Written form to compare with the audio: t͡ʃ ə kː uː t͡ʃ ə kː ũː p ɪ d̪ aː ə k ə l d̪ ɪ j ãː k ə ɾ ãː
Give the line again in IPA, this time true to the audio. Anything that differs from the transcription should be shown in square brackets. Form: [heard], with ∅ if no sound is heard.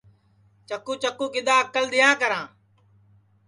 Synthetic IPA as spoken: t͡ʃ ə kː uː t͡ʃ ə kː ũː [k] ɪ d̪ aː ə k ə l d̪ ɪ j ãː k ə ɾ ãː